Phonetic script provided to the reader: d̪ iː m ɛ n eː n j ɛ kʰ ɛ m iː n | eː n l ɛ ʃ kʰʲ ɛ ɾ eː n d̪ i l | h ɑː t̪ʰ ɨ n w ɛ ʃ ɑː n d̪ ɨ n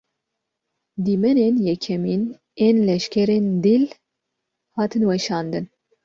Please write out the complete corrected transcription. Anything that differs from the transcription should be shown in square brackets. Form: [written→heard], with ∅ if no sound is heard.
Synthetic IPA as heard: d̪ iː m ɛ n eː n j ɛ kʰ ɛ m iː n | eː n l ɛ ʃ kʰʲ ɛ ɾ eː n d̪ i l | h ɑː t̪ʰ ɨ n w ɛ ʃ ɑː n d̪ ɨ n